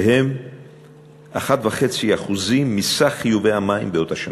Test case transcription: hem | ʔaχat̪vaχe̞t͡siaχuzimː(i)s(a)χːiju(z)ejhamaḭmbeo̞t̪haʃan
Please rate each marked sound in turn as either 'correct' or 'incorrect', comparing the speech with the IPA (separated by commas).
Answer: correct, correct, incorrect